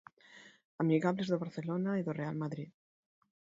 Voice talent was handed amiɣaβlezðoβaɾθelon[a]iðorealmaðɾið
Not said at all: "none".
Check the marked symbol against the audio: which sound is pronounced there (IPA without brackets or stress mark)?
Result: a